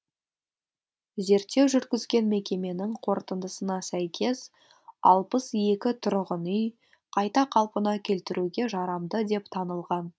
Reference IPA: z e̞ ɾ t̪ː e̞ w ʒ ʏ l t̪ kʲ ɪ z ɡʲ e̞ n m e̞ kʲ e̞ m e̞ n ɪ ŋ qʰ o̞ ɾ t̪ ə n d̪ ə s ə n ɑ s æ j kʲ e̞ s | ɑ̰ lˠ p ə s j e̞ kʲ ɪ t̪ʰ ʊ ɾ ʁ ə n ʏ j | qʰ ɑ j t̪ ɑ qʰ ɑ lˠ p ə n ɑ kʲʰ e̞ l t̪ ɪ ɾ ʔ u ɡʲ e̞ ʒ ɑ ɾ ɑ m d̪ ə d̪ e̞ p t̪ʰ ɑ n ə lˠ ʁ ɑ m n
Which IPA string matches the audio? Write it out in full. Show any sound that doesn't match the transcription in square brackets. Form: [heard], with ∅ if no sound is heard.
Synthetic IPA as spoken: z e̞ ɾ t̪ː e̞ w ʒ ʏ [ɾ] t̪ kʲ ɪ z ɡʲ e̞ n m e̞ kʲ e̞ m e̞ n ɪ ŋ qʰ o̞ ɾ t̪ ə n d̪ ə s ə n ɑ s æ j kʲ e̞ s | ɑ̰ lˠ p ə s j e̞ kʲ ɪ t̪ʰ ʊ ɾ ʁ ə n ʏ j | qʰ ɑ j t̪ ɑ qʰ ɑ lˠ p ə n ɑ kʲʰ e̞ l t̪ ɪ ɾ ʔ u ɡʲ e̞ ʒ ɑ ɾ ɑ m d̪ ə d̪ e̞ p t̪ʰ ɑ n ə lˠ ʁ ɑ [∅] n